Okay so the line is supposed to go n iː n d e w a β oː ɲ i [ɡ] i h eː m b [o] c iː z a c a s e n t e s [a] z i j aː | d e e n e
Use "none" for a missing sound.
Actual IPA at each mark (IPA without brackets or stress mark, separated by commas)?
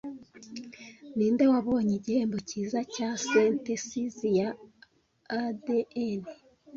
ɟ, o, i